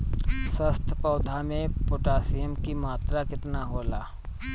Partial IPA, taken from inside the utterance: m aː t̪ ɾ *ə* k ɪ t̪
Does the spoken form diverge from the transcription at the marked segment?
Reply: yes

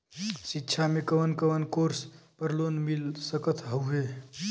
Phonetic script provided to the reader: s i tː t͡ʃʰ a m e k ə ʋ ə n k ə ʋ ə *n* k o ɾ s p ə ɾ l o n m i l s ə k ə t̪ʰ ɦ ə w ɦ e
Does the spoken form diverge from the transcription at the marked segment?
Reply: no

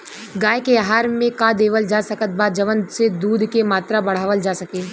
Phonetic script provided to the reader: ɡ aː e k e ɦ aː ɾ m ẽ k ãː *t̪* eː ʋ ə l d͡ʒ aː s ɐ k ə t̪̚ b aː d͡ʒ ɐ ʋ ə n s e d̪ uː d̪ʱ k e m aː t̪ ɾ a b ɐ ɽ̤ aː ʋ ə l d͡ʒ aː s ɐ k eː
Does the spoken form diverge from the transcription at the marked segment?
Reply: yes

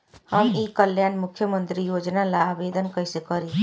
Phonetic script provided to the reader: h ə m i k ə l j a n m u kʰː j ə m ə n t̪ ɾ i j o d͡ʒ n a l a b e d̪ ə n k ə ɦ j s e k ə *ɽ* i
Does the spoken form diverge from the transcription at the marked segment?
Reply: yes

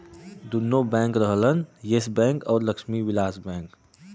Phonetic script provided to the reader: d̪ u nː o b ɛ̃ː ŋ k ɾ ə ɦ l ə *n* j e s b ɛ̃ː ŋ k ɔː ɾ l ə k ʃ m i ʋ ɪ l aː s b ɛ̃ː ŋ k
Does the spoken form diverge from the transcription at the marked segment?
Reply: no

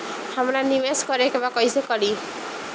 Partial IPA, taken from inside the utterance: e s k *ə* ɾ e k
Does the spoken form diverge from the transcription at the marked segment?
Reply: yes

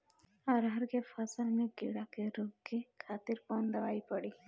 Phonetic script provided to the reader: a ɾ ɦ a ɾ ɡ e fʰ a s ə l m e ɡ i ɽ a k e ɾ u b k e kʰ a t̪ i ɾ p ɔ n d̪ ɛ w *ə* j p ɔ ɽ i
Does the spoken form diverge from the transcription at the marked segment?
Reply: yes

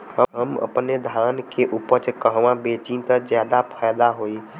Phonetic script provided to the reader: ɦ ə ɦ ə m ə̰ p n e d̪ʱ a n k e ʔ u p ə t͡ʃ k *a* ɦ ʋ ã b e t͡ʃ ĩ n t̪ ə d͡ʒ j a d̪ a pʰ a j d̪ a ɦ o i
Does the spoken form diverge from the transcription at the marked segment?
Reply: yes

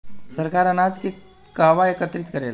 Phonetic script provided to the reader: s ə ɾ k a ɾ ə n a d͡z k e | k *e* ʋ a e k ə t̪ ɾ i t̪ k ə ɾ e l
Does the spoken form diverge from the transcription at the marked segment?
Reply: yes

